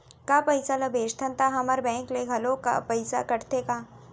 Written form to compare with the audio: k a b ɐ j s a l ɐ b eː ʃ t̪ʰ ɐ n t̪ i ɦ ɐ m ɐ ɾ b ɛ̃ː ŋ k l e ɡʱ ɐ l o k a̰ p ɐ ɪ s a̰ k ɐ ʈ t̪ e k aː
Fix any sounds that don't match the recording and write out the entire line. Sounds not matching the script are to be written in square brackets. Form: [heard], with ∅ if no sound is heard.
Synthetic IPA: k a [p] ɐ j s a l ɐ b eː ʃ t̪ʰ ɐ n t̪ [a] ɦ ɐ m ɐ ɾ b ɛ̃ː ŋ k l e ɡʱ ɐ l o k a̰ p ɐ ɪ s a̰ k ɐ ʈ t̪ e k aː